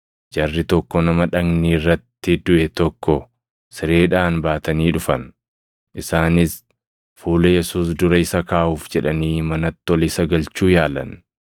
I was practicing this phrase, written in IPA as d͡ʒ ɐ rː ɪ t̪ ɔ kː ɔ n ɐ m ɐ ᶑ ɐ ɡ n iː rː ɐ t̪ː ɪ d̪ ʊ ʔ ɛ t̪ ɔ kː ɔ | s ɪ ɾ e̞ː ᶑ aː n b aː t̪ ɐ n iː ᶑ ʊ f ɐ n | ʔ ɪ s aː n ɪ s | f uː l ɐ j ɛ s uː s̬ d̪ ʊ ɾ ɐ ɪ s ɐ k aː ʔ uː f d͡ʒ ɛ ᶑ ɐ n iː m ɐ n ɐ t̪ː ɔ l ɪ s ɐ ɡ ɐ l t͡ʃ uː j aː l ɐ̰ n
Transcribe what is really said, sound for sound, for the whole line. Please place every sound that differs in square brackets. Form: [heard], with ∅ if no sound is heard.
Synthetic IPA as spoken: d͡ʒ ɐ rː ɪ t̪ ɔ kː ɔ n ɐ m ɐ ᶑ ɐ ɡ n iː rː ɐ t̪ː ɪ d̪ ʊ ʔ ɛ t̪ ɔ kː ɔ | s ɪ ɾ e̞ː ᶑ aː n b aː t̪ ɐ n iː ᶑ ʊ f ɐ n | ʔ ɪ s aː n ɪ s | f uː l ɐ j ɛ s uː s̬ d̪ ʊ ɾ ɐ ɪ s ɐ k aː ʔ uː f d͡ʒ ɛ ᶑ ɐ n iː m ɐ n ɐ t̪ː ɔ l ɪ s ɐ ɡ ɐ l t͡ʃ uː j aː l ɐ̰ n